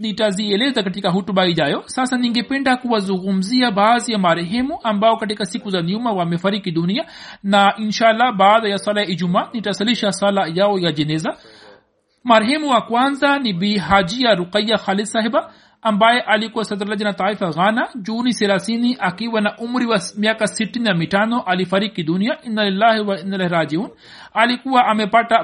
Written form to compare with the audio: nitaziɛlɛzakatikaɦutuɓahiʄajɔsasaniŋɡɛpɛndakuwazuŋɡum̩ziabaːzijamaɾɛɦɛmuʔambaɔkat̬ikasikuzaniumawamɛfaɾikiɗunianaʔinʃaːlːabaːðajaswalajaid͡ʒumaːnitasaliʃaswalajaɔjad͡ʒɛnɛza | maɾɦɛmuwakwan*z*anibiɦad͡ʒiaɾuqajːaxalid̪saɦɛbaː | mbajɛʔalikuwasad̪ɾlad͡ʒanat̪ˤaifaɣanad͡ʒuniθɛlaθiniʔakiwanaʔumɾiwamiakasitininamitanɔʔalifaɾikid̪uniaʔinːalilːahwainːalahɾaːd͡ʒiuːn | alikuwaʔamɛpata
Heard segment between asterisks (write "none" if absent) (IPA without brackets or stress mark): z